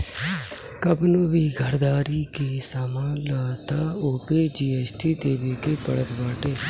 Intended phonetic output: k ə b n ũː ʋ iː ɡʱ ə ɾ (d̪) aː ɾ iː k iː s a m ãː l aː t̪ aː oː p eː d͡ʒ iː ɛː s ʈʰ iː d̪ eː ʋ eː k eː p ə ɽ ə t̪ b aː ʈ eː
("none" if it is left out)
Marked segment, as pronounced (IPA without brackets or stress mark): d̪